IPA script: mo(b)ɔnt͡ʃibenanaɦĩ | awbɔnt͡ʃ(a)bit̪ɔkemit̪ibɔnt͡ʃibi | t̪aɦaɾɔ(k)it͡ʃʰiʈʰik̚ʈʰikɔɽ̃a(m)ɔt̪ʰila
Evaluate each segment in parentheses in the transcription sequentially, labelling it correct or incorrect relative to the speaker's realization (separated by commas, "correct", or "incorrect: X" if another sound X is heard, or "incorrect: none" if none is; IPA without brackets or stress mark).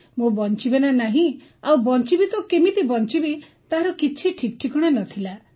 correct, incorrect: i, correct, incorrect: n